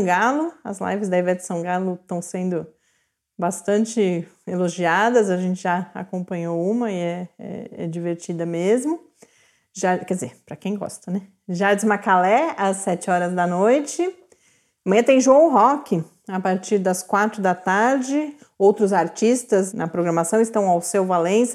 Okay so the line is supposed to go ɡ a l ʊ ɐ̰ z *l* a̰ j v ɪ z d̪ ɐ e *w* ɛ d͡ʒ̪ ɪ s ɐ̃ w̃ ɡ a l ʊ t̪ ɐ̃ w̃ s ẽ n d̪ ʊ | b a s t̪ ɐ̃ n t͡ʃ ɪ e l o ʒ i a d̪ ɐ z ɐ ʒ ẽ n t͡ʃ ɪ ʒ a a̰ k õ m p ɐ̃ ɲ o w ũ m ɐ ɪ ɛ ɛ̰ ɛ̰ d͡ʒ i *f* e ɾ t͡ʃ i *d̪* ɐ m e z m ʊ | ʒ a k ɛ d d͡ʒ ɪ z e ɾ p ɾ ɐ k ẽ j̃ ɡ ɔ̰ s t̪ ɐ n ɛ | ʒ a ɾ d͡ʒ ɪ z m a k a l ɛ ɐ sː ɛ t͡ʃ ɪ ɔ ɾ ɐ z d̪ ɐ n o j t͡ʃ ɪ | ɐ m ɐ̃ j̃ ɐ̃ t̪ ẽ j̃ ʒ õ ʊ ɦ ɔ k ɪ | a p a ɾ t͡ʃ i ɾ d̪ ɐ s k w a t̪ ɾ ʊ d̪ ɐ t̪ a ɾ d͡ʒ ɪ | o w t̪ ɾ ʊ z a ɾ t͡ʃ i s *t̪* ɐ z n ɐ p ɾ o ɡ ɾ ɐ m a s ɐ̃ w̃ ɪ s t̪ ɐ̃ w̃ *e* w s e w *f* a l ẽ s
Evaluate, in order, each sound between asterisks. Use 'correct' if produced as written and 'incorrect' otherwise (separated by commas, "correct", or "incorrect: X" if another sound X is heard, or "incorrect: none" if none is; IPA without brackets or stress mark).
correct, incorrect: v, incorrect: v, correct, correct, incorrect: a, incorrect: v